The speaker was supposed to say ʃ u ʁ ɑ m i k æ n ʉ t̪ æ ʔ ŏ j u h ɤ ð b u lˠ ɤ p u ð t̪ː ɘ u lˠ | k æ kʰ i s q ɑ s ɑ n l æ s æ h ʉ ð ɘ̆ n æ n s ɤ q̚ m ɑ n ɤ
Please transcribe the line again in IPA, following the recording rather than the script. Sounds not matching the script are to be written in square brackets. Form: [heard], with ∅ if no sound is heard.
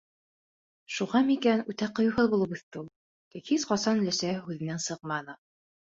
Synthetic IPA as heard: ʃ u ʁ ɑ m i k æ n ʉ t̪ æ [q] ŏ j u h ɤ ð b u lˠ ɤ p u [θ] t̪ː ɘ u lˠ | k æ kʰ i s q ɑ s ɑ n l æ s æ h ʉ ð ɘ̆ n æ n s ɤ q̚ m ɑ n ɤ